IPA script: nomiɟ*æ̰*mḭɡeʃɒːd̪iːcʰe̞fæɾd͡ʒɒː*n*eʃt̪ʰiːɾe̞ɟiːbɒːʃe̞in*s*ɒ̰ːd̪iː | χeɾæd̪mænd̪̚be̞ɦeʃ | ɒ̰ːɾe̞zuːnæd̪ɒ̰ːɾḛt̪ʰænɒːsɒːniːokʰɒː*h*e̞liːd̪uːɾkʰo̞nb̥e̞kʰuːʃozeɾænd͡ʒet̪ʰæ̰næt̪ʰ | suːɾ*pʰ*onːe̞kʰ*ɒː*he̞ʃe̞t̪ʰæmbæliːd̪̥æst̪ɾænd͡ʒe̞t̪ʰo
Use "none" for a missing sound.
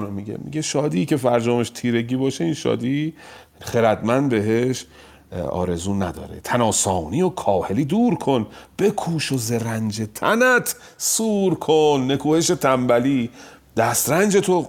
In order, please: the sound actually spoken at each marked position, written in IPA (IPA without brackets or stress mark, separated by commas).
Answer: ḛ, m, ʃ, h, kʰ, uː